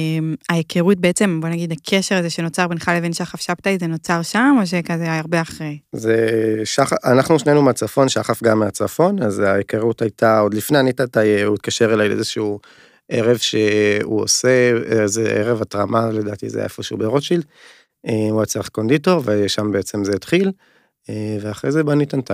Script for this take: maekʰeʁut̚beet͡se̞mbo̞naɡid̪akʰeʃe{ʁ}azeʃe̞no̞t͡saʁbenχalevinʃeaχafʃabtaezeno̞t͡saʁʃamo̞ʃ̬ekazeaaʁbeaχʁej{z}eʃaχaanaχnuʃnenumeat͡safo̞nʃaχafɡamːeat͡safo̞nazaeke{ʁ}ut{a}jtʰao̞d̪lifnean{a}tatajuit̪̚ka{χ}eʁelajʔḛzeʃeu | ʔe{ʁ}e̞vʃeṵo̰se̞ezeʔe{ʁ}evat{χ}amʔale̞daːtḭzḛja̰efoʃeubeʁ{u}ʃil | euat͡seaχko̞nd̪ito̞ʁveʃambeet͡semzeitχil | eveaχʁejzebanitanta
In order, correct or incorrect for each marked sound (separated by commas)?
correct, correct, correct, correct, incorrect, incorrect, correct, correct, incorrect, incorrect